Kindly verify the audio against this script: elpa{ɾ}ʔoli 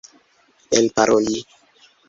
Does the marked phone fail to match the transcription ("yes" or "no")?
no